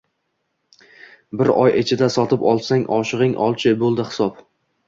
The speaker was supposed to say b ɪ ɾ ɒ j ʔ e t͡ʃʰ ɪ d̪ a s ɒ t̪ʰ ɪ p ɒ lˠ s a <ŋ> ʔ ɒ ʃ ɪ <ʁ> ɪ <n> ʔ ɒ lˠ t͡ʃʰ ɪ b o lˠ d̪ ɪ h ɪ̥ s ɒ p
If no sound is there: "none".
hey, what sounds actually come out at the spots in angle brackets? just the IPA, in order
ŋ, ʁ, ŋ

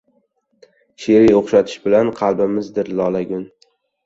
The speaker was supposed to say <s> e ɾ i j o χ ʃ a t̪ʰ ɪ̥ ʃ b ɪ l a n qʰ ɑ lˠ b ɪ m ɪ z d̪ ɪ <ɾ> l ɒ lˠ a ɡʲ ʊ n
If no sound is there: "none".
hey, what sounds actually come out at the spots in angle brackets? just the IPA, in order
ʃ, ɾ

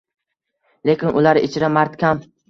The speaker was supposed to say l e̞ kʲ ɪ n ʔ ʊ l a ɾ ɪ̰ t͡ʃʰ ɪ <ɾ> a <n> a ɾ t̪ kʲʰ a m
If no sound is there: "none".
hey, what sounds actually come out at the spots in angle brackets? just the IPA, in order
ɾ, m

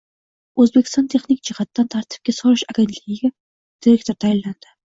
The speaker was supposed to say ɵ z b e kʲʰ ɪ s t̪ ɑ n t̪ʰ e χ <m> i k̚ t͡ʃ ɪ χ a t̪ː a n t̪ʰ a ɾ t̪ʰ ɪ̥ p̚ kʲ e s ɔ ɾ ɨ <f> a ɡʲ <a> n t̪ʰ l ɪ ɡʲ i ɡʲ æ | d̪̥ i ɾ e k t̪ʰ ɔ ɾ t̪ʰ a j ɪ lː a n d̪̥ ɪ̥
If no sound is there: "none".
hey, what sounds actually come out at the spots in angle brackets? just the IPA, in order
n, ʃ, e

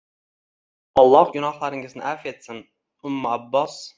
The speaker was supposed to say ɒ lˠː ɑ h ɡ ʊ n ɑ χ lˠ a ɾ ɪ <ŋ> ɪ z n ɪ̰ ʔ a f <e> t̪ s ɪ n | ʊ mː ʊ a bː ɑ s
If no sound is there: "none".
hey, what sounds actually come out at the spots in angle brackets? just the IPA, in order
ŋ, e

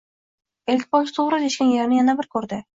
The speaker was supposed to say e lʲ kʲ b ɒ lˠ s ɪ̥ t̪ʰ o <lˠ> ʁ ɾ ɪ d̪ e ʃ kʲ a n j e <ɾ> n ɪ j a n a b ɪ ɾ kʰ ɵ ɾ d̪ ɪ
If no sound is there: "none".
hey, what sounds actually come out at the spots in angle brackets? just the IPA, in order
none, ɾ

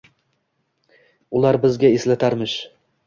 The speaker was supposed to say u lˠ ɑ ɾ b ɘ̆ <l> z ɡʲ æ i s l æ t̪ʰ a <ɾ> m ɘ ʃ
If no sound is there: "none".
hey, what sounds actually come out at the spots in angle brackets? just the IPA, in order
none, ɾ

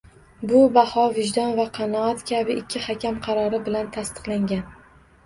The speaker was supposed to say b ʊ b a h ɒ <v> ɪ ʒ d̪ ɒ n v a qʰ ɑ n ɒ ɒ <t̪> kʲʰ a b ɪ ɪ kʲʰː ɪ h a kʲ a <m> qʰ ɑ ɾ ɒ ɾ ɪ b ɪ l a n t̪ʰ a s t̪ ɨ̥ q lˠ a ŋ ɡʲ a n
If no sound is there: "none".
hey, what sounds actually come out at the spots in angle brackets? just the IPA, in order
v, t̪, m

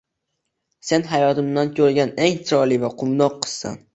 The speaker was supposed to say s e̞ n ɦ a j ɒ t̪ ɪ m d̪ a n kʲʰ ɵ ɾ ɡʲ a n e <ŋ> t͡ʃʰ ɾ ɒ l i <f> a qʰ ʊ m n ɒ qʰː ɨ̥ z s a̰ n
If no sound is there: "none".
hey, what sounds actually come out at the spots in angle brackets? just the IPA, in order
ŋ, v

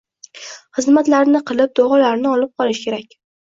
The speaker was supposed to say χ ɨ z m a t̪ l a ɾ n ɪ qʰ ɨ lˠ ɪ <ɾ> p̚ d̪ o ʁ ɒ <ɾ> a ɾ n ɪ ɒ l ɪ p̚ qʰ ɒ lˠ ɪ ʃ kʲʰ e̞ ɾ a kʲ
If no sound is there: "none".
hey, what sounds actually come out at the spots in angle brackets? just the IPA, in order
none, l

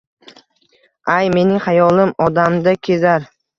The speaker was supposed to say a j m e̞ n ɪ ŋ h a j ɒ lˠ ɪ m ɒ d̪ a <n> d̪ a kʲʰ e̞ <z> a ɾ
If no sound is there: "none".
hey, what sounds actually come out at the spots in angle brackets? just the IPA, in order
m, z

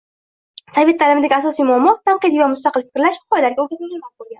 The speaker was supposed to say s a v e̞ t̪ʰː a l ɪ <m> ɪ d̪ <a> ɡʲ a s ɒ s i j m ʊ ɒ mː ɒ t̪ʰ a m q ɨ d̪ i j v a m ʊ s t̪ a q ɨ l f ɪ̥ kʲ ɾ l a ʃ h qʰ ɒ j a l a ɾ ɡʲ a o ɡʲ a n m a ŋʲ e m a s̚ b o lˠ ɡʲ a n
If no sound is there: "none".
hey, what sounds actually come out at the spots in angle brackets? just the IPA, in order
m, a

